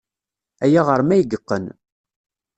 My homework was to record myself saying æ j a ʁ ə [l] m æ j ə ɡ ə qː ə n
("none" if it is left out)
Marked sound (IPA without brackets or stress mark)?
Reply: ɾ